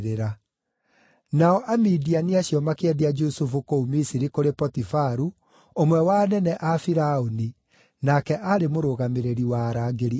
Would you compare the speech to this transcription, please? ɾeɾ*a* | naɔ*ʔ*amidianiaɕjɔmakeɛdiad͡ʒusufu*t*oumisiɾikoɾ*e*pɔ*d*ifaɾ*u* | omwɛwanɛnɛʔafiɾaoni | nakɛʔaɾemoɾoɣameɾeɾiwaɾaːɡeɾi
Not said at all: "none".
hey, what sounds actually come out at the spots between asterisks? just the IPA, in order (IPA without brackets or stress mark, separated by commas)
a, ʔ, k, e, t, u